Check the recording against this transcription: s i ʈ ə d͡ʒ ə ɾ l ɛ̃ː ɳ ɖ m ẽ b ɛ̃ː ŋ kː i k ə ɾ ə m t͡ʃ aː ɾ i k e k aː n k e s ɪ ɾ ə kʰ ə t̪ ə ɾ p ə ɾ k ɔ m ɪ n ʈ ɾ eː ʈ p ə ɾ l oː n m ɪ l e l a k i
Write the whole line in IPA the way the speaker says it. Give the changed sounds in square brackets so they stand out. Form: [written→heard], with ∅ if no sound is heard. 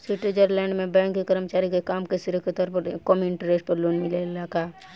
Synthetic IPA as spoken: s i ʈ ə d͡ʒ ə ɾ l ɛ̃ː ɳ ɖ m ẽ b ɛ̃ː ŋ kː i k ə ɾ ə m t͡ʃ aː ɾ i k e k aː [n→m] k e s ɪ ɾ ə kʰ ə t̪ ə ɾ p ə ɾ k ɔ m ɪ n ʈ ɾ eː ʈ p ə ɾ l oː n m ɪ l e l a k [i→a]